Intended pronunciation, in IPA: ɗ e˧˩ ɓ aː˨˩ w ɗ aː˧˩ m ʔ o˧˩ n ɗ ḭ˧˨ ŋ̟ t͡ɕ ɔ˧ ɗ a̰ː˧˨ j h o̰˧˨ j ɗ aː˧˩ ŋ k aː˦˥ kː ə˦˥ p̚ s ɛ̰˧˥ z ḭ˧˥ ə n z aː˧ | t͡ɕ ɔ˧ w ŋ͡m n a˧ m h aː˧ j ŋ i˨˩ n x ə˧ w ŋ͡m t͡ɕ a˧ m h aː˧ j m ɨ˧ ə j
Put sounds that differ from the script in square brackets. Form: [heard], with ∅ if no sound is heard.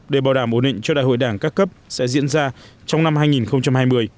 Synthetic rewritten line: ɗ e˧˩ ɓ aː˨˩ w ɗ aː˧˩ m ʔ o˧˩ n ɗ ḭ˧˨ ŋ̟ t͡ɕ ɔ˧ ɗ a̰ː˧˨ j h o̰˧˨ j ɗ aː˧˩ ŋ k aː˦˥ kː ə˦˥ p̚ s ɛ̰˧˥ z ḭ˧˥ ə n z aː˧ | t͡ɕ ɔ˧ w ŋ͡m n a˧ m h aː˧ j ŋ i˨˩ n x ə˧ w ŋ͡m t͡ɕ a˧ m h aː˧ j m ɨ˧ ə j